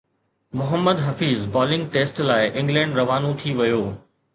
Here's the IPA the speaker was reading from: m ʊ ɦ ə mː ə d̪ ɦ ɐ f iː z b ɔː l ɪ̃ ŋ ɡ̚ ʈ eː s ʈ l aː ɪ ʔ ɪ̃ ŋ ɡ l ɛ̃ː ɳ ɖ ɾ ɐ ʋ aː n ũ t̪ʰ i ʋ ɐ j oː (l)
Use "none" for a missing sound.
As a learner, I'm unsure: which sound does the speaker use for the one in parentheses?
none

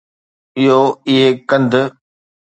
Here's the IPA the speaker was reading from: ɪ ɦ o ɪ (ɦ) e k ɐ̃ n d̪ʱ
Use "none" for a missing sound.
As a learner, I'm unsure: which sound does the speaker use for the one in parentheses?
ɦ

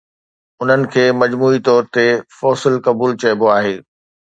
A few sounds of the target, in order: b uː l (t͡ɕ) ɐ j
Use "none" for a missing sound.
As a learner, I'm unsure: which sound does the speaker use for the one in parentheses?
t͡ɕ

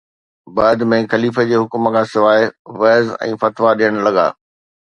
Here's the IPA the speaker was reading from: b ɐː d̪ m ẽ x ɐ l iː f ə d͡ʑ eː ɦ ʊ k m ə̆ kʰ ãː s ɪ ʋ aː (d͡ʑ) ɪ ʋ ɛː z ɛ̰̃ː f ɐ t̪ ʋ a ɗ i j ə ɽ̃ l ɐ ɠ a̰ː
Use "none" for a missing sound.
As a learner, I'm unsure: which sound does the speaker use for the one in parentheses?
none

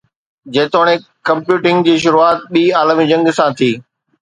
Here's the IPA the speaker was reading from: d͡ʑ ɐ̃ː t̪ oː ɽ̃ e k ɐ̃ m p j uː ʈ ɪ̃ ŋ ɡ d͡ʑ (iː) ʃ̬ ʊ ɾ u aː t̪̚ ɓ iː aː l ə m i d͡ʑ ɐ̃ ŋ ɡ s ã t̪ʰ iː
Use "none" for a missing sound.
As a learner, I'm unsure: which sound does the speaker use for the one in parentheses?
iː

